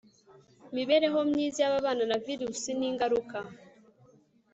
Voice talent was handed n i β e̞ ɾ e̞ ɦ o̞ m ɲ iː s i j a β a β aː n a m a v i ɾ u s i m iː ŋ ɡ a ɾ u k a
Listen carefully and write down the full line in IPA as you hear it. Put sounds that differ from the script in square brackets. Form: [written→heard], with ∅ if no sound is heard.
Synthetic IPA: [n→m] i β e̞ ɾ e̞ ɦ o̞ m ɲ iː [s→z] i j a β a β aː n a [m→n] a v i ɾ u s i [m→n] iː ŋ ɡ a ɾ u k a